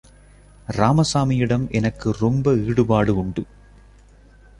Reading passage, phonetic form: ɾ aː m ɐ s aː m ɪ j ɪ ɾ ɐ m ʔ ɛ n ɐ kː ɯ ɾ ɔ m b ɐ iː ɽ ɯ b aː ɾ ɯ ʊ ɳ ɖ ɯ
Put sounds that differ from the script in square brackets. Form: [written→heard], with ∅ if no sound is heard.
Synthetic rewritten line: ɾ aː m ɐ s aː m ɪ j ɪ [ɾ→ɽ] ɐ m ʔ ɛ n ɐ kː ɯ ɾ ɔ m b ɐ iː ɽ ɯ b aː [ɾ→ɽ] ɯ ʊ ɳ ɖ ɯ